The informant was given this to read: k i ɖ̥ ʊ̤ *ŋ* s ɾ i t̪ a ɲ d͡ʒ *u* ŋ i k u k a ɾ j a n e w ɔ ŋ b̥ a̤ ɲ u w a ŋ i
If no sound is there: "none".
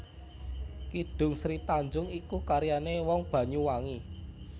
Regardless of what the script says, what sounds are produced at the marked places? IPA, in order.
ŋ, ʊ

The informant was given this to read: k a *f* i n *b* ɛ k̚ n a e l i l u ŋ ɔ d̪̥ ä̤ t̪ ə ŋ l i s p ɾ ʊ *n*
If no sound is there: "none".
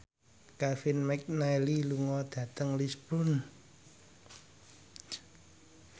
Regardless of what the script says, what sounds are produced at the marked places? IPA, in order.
f, m, n

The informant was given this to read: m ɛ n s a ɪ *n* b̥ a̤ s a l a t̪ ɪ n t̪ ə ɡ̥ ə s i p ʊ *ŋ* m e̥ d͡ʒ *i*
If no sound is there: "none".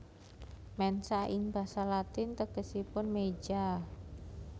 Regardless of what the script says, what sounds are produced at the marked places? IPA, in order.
ŋ, n, a

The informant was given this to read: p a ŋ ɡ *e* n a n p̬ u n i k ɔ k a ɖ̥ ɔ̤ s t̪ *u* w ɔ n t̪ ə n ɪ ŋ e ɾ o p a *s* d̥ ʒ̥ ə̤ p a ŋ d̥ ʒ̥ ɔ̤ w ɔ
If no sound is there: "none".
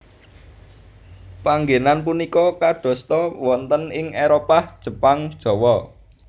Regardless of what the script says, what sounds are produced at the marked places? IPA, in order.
e, ɔ, h

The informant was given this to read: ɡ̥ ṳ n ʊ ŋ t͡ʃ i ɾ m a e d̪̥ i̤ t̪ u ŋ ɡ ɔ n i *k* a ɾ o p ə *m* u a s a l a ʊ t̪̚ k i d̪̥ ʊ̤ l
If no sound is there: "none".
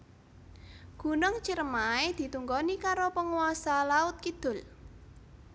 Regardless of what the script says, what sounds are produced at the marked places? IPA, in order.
k, ŋ

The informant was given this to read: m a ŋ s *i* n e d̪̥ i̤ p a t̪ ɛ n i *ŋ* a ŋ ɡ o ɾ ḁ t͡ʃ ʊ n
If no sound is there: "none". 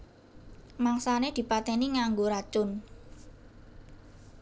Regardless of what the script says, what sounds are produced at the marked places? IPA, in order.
a, ŋ

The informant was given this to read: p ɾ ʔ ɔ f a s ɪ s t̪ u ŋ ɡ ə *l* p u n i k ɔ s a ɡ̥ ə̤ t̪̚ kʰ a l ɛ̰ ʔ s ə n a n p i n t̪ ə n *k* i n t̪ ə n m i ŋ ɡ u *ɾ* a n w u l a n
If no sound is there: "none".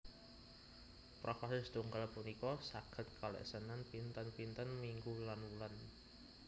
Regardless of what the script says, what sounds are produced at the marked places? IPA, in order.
l, p, l

